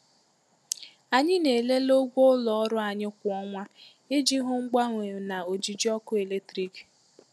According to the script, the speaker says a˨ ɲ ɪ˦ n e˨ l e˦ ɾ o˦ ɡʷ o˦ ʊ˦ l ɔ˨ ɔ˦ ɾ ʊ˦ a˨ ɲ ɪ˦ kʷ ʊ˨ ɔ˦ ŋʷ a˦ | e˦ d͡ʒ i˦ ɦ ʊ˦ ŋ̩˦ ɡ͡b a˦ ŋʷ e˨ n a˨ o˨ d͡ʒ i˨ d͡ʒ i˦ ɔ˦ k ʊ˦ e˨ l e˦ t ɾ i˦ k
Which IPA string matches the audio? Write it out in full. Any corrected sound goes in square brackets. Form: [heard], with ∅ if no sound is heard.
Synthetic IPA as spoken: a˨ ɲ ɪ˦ n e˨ l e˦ [l] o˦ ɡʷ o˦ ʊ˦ l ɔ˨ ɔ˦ ɾ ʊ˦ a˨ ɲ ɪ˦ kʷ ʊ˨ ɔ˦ ŋʷ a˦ | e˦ d͡ʒ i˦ ɦ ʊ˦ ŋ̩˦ ɡ͡b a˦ ŋʷ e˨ n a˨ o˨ d͡ʒ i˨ d͡ʒ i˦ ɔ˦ k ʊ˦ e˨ l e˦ t ɾ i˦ k